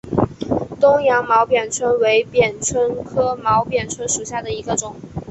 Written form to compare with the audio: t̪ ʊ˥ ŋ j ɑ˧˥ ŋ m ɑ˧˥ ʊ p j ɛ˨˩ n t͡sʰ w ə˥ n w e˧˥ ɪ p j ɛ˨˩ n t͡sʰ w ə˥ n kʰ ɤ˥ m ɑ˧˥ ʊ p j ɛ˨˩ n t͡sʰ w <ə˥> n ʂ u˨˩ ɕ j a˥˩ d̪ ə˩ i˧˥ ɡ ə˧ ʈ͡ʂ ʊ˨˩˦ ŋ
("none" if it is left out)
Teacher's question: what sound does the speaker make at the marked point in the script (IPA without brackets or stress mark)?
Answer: ə˥